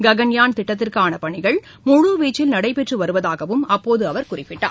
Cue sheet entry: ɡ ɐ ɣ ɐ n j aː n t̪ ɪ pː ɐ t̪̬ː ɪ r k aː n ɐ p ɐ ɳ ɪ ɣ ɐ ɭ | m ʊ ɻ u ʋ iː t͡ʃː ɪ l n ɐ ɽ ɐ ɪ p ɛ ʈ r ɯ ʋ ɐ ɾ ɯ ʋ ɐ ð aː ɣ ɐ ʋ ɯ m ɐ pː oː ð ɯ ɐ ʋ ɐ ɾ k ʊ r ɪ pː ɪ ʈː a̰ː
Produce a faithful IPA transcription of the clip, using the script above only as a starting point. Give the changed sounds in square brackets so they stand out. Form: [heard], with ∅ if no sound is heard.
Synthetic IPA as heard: ɡ ɐ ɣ ɐ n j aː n t̪ ɪ [ʈː] ɐ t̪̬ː ɪ r k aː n ɐ p ɐ ɳ ɪ ɣ ɐ ɭ | m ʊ ɻ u ʋ iː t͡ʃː ɪ l n ɐ ɽ ɐ ɪ p ɛ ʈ r ɯ ʋ ɐ ɾ ɯ ʋ ɐ ð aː ɣ ɐ ʋ ɯ m ɐ pː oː ð ɯ ɐ ʋ ɐ ɾ k ʊ r ɪ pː ɪ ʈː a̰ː